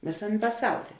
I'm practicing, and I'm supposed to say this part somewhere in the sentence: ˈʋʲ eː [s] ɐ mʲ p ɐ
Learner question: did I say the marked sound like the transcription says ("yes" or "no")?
yes